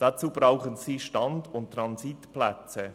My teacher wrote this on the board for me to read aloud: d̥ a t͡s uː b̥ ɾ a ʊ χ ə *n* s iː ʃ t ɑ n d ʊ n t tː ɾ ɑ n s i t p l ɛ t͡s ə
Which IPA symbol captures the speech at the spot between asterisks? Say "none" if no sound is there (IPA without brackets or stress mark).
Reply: n